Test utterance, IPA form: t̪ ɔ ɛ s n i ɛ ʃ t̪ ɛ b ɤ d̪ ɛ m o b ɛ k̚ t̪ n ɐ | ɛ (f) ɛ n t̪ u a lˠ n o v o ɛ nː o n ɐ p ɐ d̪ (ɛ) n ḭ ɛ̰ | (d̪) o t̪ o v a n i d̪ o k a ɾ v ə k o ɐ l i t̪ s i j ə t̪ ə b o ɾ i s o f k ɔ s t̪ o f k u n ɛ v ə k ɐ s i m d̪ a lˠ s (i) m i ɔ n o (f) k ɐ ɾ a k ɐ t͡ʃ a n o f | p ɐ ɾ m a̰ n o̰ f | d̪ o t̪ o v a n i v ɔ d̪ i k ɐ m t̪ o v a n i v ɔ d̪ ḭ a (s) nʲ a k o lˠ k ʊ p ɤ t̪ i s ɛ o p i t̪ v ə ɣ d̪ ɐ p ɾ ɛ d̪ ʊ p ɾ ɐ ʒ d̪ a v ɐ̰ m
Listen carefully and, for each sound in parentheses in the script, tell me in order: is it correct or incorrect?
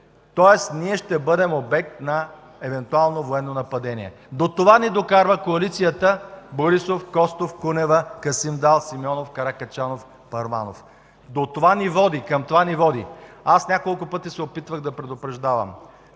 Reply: incorrect, correct, correct, correct, correct, correct

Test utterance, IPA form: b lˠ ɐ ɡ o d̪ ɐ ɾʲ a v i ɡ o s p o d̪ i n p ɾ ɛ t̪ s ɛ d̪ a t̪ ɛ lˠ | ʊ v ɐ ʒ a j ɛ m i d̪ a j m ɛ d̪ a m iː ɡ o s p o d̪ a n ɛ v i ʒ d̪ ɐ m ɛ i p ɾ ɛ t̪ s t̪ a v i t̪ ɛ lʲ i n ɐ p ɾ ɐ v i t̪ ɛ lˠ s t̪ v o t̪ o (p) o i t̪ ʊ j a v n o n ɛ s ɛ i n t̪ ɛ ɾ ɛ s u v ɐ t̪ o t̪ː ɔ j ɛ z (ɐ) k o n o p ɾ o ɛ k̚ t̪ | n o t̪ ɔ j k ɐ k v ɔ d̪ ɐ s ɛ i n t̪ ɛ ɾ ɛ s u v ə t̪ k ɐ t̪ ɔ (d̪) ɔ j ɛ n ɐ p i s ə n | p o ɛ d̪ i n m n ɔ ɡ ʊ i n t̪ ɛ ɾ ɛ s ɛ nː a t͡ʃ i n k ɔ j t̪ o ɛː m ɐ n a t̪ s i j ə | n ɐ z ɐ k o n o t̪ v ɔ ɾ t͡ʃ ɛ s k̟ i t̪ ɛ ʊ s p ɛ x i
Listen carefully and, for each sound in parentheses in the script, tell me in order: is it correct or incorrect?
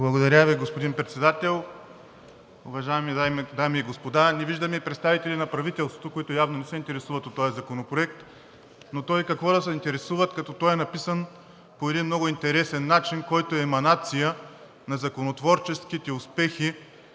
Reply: incorrect, correct, incorrect

